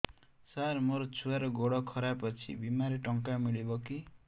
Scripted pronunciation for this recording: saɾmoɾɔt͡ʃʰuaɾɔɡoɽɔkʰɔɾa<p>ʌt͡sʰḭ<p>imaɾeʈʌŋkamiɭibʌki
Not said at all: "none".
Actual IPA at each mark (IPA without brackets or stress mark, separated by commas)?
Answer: p, b